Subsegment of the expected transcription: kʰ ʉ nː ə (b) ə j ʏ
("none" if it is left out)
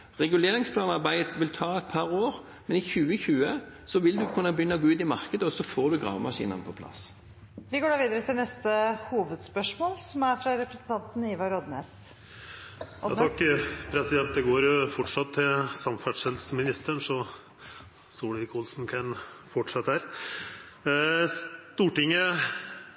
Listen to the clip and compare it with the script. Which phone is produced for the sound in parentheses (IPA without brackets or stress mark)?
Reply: b